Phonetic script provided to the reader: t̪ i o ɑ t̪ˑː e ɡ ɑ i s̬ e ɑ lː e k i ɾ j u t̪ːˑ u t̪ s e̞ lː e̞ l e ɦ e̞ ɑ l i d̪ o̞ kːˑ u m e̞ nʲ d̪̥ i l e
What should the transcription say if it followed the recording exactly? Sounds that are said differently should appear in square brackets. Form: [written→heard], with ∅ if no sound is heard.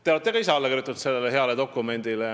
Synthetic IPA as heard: t̪ [i→e] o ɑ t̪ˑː e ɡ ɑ i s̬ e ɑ lː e k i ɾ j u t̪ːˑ u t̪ s e̞ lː e̞ l e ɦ e̞ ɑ l [i→e] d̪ o̞ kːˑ u m e̞ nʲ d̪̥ i l e